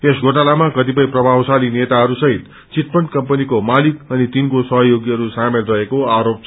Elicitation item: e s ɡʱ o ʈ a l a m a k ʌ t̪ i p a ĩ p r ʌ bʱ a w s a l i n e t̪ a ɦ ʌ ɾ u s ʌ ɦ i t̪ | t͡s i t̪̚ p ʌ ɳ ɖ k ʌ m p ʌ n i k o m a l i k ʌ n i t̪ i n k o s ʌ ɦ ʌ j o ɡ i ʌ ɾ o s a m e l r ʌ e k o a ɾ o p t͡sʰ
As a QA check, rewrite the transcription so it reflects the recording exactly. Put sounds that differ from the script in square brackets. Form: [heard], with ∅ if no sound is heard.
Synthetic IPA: e s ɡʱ o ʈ a l a m a k ʌ t̪ i p [ʌ] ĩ p r ʌ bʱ a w s a l i n e t̪ a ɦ ʌ ɾ u s ʌ ɦ i t̪ | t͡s i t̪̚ p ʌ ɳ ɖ k ʌ m p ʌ n i k o m a l i k ʌ n i t̪ i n k o s ʌ ɦ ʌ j o ɡ i ʌ ɾ [u] s a m e l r ʌ e k o a ɾ o p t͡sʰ